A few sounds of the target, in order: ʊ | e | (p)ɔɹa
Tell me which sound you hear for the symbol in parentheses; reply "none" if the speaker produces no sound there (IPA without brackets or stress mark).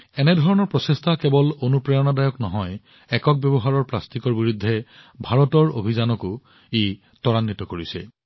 t